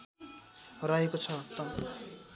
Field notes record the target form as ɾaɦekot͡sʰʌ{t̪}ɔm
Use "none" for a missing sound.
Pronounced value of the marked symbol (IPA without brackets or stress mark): t̪